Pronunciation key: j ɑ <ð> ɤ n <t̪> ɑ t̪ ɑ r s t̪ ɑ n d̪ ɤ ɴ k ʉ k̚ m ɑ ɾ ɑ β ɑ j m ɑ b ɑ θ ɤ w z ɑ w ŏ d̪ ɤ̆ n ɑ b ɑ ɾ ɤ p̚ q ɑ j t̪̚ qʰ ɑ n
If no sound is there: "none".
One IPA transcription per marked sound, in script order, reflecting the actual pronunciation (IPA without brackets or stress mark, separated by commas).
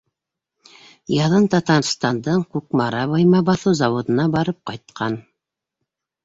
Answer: ð, t̪